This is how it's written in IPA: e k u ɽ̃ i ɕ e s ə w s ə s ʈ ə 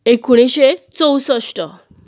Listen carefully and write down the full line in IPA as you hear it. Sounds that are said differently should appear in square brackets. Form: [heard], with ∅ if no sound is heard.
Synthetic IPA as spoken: e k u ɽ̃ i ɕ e [t͡s] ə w s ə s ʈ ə